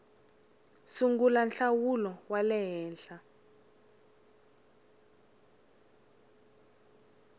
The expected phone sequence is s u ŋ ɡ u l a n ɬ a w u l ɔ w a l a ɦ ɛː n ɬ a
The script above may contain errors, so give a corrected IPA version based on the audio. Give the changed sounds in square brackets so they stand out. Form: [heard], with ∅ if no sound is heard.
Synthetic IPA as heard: s u ŋ ɡ u l a n ɬ a w u l ɔ w a l [ɛ] ɦ ɛː n ɬ a